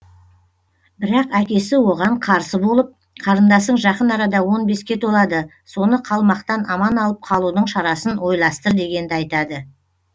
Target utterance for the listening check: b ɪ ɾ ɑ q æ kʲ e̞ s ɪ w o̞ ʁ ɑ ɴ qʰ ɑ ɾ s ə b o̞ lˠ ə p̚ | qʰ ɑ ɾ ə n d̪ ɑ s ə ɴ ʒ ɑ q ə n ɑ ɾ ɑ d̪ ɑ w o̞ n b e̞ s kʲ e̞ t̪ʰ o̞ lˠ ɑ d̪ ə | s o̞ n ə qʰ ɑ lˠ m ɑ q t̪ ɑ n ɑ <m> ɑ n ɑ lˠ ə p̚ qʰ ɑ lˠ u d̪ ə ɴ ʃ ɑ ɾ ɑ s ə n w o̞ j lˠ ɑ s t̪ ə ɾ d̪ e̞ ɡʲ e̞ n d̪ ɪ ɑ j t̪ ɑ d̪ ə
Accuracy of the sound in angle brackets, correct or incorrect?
correct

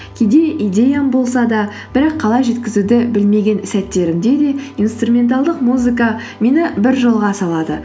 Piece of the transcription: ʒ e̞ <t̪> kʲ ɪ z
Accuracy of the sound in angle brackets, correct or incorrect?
correct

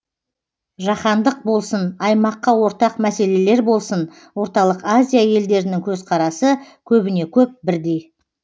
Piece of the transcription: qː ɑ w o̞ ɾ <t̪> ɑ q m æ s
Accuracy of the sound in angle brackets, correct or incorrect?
correct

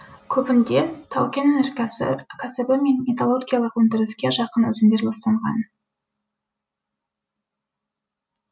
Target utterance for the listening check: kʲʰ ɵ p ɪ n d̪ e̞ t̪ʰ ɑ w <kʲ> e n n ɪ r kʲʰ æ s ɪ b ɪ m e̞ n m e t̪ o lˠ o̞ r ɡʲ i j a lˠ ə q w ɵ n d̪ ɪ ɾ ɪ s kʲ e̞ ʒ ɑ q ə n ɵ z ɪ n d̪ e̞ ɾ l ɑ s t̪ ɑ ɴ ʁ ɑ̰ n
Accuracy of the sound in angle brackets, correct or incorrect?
correct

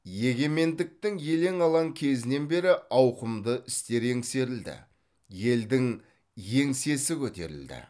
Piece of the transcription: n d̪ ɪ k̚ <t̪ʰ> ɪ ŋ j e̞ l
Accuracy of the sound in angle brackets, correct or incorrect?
incorrect: t̪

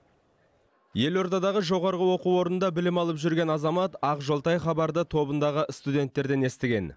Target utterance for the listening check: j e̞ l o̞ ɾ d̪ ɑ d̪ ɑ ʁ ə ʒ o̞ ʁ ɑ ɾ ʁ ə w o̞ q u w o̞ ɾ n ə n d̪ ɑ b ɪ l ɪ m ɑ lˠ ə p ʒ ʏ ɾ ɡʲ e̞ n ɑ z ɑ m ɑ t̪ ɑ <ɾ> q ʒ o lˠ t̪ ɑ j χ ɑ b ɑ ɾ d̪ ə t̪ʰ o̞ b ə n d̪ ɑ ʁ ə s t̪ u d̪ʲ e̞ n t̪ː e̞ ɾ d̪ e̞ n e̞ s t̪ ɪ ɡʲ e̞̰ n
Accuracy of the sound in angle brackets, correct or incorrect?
incorrect: none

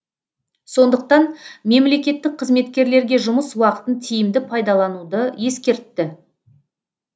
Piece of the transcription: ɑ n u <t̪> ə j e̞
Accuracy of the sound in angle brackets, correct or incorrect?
incorrect: d̪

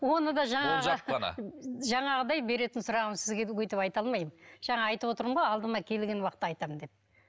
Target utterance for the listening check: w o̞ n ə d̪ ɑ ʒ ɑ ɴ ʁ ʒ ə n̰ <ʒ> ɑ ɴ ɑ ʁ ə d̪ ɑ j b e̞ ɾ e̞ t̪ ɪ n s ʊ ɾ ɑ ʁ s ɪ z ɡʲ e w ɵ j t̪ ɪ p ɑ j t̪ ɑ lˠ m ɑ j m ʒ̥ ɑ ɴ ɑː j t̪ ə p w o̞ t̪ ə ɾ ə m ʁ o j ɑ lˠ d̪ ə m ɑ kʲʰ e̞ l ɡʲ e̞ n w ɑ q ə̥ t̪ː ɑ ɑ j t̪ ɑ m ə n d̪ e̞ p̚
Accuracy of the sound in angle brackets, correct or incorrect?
correct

